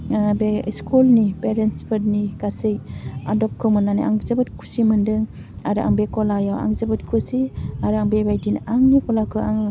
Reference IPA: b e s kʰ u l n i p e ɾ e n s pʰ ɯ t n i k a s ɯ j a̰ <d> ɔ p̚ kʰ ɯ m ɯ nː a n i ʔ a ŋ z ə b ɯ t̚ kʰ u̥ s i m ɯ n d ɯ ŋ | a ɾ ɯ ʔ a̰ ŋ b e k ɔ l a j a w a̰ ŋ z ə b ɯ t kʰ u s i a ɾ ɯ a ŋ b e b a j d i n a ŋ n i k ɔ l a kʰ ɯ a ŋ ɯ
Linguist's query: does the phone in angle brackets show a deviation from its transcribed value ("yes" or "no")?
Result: no